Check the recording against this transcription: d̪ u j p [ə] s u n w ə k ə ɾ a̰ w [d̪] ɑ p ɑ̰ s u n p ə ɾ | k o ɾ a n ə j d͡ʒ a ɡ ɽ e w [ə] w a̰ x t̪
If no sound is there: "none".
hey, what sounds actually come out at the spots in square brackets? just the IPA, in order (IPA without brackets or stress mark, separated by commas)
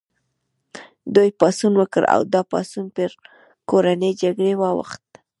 ɑ, d̪, ɑ